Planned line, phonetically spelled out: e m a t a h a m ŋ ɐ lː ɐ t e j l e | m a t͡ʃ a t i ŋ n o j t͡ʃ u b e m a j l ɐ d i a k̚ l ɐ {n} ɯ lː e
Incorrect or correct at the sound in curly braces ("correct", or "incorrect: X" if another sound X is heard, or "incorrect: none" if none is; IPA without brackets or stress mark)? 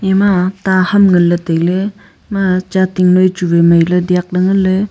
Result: incorrect: ŋ